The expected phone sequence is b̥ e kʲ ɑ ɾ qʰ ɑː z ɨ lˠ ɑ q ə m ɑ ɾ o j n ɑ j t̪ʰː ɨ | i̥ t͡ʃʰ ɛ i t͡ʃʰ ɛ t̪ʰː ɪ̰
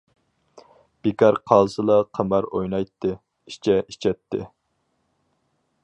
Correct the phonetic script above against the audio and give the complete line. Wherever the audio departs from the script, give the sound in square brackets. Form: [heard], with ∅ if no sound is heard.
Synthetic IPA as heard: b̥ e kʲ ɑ ɾ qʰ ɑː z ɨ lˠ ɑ [qʰ] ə m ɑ ɾ o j n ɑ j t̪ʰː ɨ | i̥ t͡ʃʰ ɛ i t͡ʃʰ ɛ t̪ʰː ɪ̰